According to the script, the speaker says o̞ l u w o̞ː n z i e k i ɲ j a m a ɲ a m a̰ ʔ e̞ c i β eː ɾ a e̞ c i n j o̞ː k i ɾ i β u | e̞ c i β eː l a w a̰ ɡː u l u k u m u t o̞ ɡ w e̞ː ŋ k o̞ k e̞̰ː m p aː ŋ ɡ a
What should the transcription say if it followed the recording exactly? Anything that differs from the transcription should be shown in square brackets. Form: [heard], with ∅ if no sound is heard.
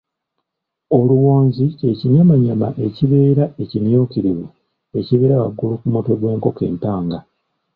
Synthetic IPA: o̞ l u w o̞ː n z i e [c] i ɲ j a m a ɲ a m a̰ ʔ e̞ c i β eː ɾ a e̞ c i n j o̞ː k i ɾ i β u | e̞ c i β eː [ɾ] a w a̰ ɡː u l u k u m u t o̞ ɡ w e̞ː ŋ k o̞ k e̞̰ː m p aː ŋ ɡ a